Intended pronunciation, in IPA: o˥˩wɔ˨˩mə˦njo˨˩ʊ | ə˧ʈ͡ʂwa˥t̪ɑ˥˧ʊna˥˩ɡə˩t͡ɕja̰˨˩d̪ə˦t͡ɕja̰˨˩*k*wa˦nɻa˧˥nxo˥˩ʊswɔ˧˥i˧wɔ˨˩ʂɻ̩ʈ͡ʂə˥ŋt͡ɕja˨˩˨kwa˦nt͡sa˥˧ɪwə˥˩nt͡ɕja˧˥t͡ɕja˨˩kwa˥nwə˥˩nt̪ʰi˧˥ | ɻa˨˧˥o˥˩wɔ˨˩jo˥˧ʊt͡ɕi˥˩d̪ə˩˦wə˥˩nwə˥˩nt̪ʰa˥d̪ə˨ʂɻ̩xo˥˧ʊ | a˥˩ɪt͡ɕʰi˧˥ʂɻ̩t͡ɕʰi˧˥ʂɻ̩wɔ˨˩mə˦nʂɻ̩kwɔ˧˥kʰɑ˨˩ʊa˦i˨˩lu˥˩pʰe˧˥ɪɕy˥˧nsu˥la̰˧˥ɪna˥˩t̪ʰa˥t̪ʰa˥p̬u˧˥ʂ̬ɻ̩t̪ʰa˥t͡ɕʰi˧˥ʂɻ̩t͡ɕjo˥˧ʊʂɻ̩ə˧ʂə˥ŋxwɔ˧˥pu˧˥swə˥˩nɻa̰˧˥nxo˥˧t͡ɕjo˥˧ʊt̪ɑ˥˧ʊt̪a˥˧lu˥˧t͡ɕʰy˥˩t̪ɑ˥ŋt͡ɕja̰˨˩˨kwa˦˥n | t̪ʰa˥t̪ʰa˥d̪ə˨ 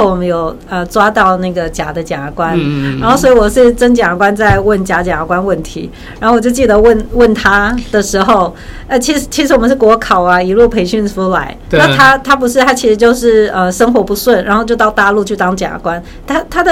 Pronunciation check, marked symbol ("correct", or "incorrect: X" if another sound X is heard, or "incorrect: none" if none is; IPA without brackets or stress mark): correct